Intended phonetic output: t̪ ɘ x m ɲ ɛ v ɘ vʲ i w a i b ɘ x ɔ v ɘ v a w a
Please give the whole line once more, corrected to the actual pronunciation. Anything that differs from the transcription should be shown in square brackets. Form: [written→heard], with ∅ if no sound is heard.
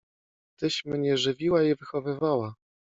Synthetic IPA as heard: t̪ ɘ [x→ɕ] m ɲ ɛ [v→ʐ] ɘ vʲ i w a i [b→v] ɘ x ɔ v ɘ v a w a